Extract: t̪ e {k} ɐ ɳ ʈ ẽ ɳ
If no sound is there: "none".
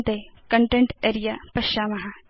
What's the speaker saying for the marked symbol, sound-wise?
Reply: k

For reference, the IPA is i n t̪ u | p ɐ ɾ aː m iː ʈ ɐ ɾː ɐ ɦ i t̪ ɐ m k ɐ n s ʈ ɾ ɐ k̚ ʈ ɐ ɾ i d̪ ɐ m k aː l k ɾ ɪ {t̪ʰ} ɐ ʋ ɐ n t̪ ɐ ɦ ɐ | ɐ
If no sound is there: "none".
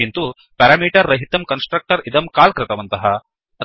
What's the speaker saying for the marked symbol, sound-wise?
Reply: t̪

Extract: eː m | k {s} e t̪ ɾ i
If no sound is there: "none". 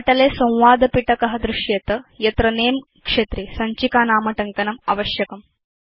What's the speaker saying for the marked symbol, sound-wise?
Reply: ʂ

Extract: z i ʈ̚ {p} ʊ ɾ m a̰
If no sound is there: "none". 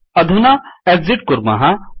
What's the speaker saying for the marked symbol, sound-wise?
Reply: k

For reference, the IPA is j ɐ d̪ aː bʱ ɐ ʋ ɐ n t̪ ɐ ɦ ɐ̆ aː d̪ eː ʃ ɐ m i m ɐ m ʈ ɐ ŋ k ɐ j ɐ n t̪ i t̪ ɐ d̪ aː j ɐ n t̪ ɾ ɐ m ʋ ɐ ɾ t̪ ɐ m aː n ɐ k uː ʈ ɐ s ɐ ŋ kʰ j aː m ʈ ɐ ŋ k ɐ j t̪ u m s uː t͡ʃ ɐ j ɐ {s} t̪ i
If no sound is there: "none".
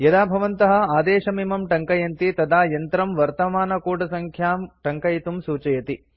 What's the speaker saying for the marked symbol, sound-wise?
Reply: none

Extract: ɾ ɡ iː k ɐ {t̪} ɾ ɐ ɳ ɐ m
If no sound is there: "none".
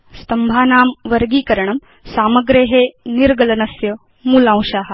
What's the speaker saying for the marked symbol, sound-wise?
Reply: none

